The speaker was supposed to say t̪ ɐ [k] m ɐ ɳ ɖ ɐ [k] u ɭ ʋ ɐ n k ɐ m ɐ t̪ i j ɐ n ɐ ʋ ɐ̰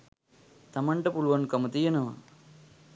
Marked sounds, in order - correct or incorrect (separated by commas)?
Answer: incorrect, incorrect